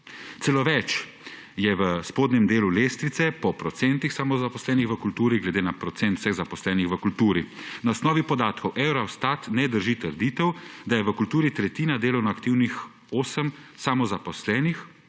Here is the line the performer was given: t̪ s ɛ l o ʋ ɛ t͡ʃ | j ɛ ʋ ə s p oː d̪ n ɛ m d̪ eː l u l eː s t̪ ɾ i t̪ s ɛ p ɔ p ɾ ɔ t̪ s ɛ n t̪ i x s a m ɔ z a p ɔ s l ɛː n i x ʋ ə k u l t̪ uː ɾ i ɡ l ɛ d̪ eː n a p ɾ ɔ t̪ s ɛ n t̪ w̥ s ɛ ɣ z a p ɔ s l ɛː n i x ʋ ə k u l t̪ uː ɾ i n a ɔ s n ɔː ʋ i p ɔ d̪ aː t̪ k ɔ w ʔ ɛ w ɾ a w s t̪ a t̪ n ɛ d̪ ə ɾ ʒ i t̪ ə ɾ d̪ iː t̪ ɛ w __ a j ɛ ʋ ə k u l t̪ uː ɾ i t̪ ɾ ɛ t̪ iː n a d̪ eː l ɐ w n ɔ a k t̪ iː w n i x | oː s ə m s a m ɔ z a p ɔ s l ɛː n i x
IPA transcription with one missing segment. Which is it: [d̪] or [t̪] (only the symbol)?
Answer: d̪